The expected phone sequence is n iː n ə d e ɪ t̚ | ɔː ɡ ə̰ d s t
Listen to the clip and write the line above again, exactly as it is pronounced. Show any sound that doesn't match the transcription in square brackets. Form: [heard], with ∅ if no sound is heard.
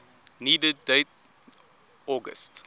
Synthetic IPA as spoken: n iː [d] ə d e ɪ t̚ | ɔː ɡ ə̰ [∅] s t

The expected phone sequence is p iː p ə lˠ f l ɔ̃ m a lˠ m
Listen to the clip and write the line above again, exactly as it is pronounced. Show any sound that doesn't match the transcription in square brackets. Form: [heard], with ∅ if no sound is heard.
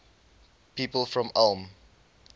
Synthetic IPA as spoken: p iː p ə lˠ f [ɹ] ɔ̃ m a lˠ m

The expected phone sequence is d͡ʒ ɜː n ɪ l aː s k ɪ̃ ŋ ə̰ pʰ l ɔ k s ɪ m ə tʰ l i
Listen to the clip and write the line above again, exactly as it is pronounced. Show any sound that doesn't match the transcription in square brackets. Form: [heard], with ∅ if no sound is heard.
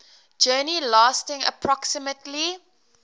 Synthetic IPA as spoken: d͡ʒ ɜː n [i] l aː s [t] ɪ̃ ŋ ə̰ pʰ [ɹ] ɔ k s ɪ m ə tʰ l i

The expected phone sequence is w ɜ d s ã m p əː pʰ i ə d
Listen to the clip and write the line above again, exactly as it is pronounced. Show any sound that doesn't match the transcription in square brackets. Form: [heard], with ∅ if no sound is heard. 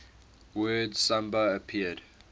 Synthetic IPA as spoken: w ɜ d s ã m [b] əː pʰ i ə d

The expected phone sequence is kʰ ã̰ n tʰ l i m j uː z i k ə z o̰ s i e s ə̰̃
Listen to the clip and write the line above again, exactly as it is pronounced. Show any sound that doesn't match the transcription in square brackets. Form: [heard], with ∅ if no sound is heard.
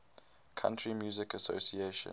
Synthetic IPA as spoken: kʰ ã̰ n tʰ [ɹ] i m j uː z [ɪ] k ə [s] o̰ s i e [ʃ] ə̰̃

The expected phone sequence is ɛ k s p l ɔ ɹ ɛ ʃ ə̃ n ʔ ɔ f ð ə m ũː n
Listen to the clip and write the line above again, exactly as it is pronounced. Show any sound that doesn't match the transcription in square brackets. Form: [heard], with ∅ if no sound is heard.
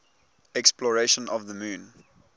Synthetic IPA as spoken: ɛ k s p l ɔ ɹ [e] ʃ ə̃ n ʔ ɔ [v] ð ə m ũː n

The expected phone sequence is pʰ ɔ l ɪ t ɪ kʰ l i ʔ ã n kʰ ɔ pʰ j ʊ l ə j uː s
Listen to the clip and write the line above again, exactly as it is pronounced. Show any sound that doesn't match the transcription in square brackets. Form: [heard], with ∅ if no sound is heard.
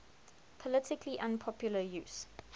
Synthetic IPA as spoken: pʰ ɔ l ɪ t ɪ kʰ l i ʔ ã n [pʰ] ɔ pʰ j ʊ l ə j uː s

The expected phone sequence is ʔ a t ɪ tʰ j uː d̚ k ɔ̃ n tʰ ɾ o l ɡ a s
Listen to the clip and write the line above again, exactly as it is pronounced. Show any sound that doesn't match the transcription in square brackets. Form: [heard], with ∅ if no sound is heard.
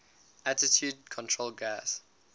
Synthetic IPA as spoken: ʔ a t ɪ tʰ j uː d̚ [kʰ] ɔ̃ n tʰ [ɹ] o l ɡ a s

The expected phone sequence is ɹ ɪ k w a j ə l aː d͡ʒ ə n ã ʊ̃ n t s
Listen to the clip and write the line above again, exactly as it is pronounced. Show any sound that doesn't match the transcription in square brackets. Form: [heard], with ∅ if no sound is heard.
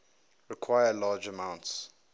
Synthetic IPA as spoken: ɹ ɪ [kʰ] w a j ə l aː d͡ʒ ə [m] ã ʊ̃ n t s

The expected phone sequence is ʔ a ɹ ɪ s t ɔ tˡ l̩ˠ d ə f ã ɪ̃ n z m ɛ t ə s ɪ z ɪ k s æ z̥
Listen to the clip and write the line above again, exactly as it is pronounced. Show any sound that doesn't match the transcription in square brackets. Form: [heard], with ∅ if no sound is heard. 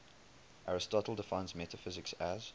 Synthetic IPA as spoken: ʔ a ɹ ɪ s t ɔ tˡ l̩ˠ d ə f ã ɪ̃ n z m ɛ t ə [f] ɪ z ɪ k s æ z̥

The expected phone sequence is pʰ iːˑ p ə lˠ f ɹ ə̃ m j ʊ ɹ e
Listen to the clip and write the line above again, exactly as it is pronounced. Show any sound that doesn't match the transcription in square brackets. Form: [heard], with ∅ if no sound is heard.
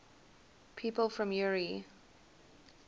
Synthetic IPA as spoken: pʰ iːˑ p ə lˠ f ɹ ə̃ m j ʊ ɹ [i]

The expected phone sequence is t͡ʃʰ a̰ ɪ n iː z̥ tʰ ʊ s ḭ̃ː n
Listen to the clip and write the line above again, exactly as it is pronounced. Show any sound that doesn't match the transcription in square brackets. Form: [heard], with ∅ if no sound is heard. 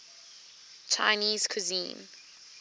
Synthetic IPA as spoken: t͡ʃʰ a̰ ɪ n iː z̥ [kʰ] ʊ [z] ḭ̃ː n

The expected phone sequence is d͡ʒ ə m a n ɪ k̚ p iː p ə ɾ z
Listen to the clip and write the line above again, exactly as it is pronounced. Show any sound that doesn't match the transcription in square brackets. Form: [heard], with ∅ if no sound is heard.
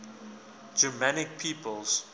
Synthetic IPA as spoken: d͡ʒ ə m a n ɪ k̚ [pʰ] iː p ə [l] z

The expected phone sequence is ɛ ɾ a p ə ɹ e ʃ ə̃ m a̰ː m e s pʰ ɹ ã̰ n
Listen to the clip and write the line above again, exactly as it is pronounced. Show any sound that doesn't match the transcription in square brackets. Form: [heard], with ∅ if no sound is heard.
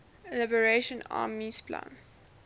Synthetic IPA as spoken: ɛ [l] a [b] ə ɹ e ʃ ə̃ [n] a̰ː m [i] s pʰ [l] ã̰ n

